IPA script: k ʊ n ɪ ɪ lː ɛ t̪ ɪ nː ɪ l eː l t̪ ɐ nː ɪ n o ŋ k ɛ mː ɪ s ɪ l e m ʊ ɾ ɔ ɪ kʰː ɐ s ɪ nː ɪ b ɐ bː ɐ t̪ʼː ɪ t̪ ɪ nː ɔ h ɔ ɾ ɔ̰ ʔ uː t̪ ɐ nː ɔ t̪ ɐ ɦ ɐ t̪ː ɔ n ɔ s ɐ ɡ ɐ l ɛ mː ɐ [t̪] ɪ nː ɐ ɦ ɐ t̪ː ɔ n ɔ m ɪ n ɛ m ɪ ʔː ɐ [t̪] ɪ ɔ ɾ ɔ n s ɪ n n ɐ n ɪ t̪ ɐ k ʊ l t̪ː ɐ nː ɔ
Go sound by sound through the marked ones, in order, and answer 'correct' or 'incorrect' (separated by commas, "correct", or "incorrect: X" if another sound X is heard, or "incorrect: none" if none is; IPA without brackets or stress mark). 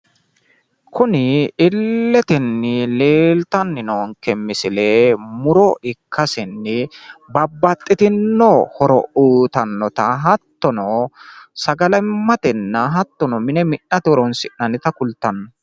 correct, correct